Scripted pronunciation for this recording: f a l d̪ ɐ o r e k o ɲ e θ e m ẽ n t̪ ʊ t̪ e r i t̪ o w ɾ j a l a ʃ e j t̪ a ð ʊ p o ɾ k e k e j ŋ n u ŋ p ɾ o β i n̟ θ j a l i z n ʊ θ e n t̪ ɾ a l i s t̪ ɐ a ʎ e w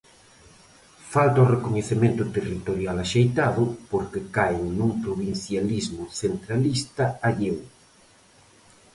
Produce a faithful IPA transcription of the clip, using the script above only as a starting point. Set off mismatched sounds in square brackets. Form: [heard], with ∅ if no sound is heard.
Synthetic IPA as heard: f a l [t̪] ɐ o r e k o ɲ e θ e m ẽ n t̪ ʊ t̪ e r i t̪ o [∅] ɾ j a l a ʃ e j t̪ a ð ʊ p o ɾ k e k [a] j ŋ n u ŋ p ɾ o β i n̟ θ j a l i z [m] ʊ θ e n t̪ ɾ a l i s t̪ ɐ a ʎ e w